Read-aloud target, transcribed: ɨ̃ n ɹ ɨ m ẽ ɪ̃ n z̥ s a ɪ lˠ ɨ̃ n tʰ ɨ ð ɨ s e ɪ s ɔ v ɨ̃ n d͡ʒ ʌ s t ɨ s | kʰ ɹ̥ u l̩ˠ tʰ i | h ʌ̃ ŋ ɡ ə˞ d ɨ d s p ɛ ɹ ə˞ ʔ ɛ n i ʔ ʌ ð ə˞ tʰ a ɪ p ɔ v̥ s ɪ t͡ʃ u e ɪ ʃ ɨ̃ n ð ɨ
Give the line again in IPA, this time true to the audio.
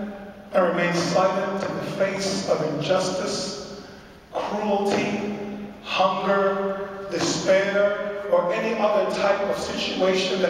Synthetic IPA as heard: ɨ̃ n ɹ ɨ m ẽ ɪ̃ n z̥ s a ɪ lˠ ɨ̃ n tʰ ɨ ð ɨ f e ɪ s ʌ v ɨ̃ n d͡ʒ ʌ s t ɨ s | kʰ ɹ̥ u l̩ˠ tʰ i | h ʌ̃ ŋ ɡ ə˞ d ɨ s p ɛ ɹ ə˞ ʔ ɛ n i ʔ ʌ ð ə˞ tʰ a ɪ p ʌ v̥ s ɪ t͡ʃ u e ɪ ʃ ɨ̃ n ð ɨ

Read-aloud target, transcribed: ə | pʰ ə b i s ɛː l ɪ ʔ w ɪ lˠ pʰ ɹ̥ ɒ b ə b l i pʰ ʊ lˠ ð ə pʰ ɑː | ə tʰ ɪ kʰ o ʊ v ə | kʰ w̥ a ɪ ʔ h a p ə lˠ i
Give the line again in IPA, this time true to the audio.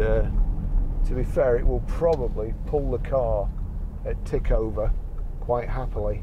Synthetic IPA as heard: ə | tʰ ə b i f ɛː ɹ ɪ ʔ w ɪ lˠ pʰ ɹ̥ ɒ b ə b l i pʰ ʊ lˠ ð ə kʰ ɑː | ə tʰ ɪ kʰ o ʊ v ə | kʰ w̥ a ɪ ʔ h a p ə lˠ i

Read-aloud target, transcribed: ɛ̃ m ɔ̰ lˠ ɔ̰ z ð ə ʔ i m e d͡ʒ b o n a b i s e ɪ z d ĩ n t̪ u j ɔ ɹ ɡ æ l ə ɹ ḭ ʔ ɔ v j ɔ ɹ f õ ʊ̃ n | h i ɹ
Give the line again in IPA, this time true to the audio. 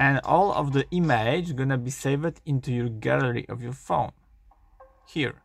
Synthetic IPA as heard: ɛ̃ n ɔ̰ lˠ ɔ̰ v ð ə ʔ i m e d͡ʒ ɡ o n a b i s e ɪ v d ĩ n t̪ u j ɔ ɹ ɡ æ l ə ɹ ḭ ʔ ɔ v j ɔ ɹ f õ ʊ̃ n | h i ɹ

